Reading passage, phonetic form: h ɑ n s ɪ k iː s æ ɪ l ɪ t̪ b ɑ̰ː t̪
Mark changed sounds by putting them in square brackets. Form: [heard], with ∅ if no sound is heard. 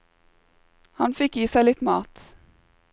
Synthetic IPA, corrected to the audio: h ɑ n [f] ɪ k iː s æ ɪ l ɪ t̪ [m] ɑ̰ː t̪